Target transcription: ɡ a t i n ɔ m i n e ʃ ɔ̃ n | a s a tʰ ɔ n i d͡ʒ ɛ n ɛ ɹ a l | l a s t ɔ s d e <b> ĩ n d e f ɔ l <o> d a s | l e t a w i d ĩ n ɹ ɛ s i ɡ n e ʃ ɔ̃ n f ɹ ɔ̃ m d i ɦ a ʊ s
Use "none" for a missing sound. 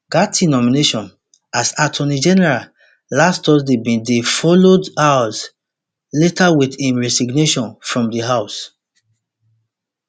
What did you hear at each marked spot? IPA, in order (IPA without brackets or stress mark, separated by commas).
b, o